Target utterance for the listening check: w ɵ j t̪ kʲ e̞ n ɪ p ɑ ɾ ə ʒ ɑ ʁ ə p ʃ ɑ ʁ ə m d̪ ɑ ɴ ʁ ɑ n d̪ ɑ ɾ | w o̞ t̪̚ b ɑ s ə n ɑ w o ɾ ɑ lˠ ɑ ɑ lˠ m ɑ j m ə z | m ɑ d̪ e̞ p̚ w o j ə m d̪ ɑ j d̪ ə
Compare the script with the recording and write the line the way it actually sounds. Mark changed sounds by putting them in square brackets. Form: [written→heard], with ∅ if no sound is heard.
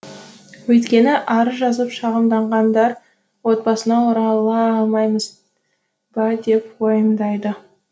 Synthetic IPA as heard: w ɵ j t̪ kʲ e̞ n ɪ [p→ʔ] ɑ ɾ ə ʒ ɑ [ʁ→z] ə p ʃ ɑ ʁ ə m d̪ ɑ ɴ ʁ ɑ n d̪ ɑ ɾ | w o̞ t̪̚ b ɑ s ə n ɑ w o ɾ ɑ lˠ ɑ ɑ lˠ m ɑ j m ə z | [m→b] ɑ d̪ e̞ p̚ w o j ə m d̪ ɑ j d̪ ə